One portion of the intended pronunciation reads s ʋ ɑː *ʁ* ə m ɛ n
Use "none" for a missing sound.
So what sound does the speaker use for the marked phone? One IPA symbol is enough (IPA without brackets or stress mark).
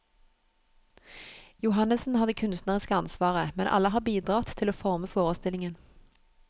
ʁ